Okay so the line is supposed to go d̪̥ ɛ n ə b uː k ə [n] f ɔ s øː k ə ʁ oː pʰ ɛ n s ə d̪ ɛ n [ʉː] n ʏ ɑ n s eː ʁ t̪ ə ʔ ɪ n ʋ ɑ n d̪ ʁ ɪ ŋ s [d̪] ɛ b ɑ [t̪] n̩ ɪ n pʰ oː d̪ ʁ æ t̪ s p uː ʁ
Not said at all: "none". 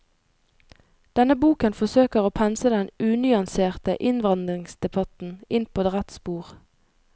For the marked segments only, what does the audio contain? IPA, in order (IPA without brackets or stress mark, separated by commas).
n, ʉː, d̪, t̪